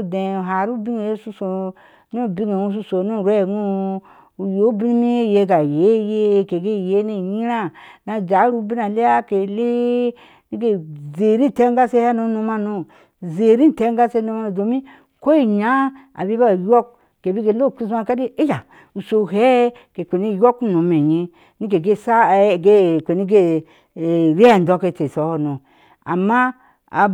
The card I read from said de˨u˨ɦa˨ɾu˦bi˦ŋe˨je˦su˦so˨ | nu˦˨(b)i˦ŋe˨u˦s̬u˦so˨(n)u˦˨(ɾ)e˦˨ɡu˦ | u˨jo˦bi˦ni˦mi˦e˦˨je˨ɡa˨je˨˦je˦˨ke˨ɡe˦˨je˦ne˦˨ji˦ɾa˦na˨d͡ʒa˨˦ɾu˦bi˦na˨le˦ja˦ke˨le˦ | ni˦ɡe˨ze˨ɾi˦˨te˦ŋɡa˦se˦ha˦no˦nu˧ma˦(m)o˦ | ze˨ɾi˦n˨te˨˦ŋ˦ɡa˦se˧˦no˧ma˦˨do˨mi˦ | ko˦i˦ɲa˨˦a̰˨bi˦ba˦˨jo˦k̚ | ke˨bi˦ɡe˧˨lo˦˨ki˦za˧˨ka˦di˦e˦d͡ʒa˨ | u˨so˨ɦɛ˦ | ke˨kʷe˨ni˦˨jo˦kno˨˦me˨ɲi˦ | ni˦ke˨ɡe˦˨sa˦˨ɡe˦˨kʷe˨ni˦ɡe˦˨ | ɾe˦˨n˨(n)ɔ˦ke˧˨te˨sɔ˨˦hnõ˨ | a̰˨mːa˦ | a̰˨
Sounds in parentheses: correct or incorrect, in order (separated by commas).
correct, correct, correct, incorrect, incorrect